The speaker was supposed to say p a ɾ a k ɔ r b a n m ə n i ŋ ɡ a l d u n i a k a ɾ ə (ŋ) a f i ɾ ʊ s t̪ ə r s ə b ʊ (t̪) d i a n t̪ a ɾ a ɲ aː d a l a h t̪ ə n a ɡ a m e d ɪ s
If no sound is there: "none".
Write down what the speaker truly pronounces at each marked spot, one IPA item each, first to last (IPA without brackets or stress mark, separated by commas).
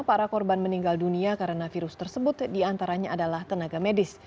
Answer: n, t̪